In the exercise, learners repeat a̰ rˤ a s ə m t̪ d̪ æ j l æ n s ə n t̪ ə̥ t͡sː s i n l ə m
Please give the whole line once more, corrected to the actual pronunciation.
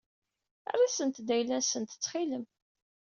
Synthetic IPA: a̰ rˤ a s ə n t̪ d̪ æ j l æ n s ə n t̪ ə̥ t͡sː χ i l ə m